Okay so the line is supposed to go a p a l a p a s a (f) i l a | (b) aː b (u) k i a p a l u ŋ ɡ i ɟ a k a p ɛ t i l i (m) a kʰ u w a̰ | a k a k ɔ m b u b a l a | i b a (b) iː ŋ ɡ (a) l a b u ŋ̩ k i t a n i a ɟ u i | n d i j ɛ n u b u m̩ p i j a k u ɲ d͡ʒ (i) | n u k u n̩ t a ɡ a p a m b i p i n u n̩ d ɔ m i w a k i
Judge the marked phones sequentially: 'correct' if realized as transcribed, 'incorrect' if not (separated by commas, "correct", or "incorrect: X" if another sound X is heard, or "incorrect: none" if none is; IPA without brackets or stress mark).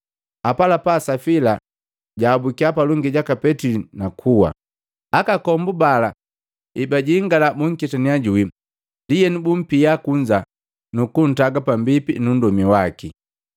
correct, incorrect: ɟ, correct, incorrect: n, incorrect: ɟ, correct, incorrect: a